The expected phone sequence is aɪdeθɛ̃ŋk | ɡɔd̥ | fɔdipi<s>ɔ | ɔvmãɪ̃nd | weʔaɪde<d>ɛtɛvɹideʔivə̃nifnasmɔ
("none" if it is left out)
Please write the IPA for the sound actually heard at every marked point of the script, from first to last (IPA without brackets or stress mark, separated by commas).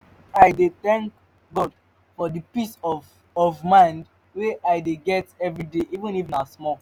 s, ɡ